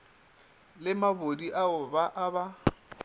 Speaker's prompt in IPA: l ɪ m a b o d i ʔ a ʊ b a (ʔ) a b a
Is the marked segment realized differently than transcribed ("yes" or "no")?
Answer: no